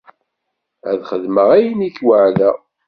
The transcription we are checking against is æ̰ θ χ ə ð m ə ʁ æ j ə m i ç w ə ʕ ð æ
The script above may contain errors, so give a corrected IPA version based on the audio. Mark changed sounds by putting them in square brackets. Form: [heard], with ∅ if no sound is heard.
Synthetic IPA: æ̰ [ð] χ ə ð m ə ʁ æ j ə [n] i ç w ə ʕ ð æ